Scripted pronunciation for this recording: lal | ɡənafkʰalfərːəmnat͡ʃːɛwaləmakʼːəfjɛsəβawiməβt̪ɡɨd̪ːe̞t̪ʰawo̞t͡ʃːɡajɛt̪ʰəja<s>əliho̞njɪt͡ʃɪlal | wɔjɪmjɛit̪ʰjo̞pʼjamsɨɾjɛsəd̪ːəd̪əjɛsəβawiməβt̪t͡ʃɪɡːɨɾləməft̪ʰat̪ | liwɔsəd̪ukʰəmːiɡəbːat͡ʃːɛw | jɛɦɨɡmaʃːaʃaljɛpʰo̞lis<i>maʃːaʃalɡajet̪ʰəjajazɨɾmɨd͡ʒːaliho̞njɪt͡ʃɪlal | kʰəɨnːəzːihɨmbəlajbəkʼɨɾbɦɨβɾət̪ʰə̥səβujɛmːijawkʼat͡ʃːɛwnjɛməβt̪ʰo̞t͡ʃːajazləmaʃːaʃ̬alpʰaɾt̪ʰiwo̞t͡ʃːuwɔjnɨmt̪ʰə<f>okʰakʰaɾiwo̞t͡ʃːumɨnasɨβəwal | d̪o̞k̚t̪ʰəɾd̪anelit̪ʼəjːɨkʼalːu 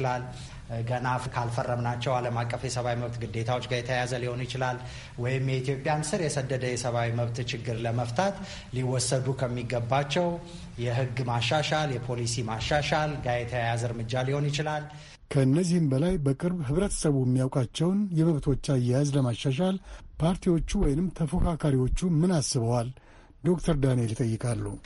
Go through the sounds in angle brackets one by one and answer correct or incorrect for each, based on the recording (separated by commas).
incorrect, correct, correct